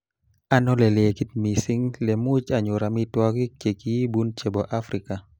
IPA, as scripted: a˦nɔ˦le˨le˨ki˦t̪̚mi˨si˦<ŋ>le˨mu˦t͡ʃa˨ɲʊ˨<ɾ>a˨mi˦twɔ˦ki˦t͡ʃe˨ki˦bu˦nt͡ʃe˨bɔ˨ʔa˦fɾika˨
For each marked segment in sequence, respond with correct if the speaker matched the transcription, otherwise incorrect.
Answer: correct, correct

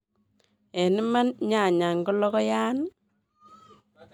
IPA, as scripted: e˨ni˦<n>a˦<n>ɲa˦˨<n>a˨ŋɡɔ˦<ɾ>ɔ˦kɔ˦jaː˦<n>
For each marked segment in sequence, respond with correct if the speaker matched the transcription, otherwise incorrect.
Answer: incorrect, correct, incorrect, incorrect, correct

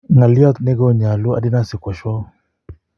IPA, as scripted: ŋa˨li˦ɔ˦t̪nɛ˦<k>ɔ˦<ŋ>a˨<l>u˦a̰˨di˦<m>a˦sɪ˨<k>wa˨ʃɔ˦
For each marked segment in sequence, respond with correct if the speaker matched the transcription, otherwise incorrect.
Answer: incorrect, incorrect, correct, incorrect, correct

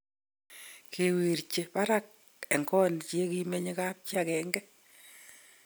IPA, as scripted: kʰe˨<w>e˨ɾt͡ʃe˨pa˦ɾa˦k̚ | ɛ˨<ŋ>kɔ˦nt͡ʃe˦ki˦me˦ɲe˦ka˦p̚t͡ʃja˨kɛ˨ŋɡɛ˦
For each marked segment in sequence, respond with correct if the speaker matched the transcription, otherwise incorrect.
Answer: correct, correct

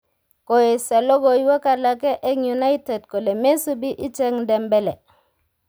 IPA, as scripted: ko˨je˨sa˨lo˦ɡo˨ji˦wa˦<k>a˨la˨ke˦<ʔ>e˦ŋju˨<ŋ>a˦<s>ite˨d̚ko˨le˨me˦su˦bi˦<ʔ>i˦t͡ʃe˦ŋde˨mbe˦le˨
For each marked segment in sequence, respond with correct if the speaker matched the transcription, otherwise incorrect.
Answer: correct, correct, incorrect, incorrect, correct

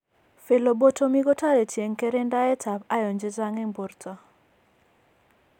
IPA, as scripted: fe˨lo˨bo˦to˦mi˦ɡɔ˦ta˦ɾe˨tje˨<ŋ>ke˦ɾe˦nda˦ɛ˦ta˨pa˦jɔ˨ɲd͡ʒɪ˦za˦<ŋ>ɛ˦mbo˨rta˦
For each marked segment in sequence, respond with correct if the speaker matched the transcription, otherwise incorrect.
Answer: correct, correct

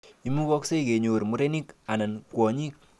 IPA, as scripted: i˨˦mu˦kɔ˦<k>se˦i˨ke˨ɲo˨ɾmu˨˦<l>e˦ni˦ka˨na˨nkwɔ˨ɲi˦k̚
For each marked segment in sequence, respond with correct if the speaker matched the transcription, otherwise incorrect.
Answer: correct, incorrect

